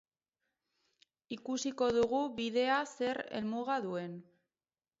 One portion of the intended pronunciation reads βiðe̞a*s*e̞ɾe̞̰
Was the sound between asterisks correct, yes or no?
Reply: yes